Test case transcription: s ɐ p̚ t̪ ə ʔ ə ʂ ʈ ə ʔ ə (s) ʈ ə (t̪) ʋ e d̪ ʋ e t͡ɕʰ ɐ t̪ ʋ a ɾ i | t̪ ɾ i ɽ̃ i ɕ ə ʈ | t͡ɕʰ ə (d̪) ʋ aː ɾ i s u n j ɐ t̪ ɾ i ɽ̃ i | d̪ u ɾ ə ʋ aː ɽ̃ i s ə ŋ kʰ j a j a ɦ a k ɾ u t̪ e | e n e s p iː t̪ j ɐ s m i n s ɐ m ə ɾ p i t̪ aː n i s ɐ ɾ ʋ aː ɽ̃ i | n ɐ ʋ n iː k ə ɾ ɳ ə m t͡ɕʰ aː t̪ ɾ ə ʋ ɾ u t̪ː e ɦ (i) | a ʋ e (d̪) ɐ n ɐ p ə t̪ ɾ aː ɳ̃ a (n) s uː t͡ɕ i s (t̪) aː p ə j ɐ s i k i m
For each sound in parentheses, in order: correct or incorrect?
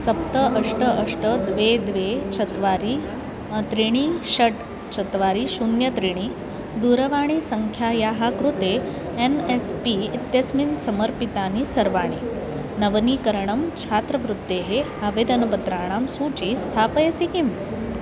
incorrect: ʂ, incorrect: d̪, incorrect: t̪, incorrect: e, correct, incorrect: m, incorrect: t̪ʰ

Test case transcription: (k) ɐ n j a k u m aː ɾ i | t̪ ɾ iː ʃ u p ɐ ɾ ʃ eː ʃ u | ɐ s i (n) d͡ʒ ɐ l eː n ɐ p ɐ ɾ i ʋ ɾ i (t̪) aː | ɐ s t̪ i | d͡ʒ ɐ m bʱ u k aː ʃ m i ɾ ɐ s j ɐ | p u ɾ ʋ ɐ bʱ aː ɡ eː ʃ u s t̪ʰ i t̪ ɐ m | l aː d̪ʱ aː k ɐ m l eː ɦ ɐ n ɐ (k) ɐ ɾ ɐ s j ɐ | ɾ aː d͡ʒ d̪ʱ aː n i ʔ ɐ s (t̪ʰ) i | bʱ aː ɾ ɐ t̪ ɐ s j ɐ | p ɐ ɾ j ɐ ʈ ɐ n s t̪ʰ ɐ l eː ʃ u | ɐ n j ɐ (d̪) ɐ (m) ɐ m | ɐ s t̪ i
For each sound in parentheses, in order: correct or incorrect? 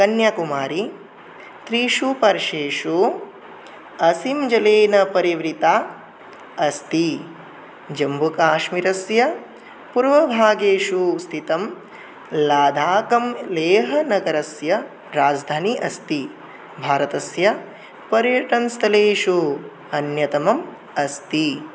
correct, incorrect: m, correct, incorrect: ɡ, incorrect: t̪, incorrect: t̪, correct

